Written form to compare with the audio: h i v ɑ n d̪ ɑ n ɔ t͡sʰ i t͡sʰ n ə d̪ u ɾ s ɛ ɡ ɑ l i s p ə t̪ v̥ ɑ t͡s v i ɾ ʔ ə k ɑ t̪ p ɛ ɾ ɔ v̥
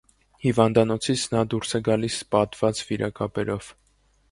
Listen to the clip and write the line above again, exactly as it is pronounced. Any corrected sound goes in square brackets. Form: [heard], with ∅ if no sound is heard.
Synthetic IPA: h i v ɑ n d̪ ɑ n ɔ t͡sʰ i t͡sʰ n [ɑ] d̪ u ɾ s ɛ ɡ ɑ l i s p [ɑ] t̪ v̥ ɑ t͡s v i ɾ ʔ [ɑ] k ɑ [∅] p ɛ ɾ ɔ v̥